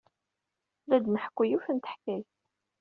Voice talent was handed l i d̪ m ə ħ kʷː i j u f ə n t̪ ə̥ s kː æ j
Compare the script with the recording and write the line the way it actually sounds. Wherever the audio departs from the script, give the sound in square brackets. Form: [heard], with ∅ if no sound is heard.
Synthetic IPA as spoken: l [æ] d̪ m ə ħ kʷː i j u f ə n t̪ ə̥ [ħ] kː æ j